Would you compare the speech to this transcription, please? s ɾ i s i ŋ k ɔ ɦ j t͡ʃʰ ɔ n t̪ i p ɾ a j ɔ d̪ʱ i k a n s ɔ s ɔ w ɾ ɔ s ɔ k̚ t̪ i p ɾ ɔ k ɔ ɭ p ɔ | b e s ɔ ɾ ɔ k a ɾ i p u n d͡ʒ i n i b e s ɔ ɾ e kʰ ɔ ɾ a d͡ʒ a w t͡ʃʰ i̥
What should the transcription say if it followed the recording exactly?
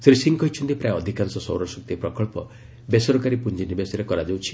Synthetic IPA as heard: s ɾ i s i ŋ k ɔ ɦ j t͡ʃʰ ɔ n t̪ i p ɾ a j ɔ d̪ʱ i k a n s ɔ s ɔ w ɾ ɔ s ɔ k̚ t̪ i p ɾ ɔ k ɔ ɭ p ɔ | b e s ɔ ɾ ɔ k a ɾ i p u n d͡ʒ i n i b e s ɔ ɾ e k ɔ ɾ a d͡ʒ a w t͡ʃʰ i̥